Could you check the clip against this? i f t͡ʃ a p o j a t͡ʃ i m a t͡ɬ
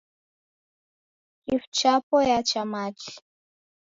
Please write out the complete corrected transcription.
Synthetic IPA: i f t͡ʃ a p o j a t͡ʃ a m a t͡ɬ